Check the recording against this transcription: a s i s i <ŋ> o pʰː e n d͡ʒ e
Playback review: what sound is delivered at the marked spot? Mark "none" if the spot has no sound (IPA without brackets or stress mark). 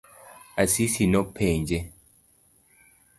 n